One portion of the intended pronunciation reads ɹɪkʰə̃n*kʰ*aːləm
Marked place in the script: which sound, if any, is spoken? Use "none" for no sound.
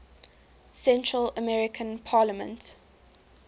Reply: pʰ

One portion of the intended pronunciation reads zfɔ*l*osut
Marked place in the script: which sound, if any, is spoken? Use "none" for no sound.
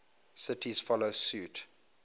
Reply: l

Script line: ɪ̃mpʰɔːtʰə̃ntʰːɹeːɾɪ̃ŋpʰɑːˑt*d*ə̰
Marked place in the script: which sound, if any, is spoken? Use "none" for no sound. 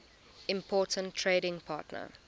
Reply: n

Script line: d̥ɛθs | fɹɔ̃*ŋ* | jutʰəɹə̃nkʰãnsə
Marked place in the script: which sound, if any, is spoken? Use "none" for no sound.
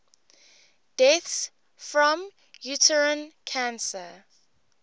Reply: m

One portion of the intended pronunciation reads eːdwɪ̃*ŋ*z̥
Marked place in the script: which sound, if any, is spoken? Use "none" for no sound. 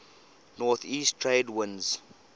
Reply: n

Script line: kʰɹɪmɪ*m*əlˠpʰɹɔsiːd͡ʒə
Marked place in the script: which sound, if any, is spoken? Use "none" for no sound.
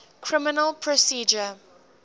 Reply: n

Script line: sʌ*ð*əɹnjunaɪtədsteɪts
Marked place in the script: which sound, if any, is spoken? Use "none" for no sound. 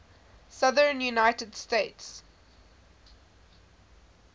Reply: ð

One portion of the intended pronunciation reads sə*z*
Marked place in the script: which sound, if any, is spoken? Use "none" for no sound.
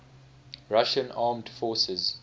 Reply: z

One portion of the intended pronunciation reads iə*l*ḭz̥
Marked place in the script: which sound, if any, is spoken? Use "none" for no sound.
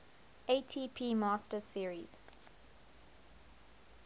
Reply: ɹ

